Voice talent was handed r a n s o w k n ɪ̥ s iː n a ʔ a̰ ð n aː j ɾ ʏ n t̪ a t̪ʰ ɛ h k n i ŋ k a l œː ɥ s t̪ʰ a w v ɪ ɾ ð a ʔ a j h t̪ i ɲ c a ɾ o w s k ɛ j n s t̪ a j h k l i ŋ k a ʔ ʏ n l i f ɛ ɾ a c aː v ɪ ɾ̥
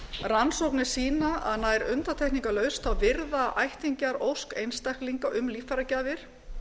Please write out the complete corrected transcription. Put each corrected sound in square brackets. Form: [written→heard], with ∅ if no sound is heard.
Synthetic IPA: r a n s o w k n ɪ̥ s iː n a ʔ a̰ ð n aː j ɾ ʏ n t̪ a t̪ʰ ɛ h k n i ŋ k a l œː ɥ s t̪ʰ a w v ɪ ɾ ð a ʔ a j h t̪ i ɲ c a ɾ o w s k [ɛ→e] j n s t̪ a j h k l i ŋ k a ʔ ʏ [n→m] l i f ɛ ɾ a c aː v ɪ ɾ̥